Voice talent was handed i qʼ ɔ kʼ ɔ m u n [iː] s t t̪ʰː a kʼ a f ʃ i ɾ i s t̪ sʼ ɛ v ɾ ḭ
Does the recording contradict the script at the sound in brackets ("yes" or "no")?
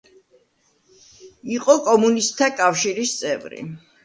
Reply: yes